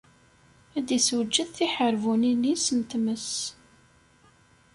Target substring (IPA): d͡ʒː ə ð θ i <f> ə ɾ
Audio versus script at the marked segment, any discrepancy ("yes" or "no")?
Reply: yes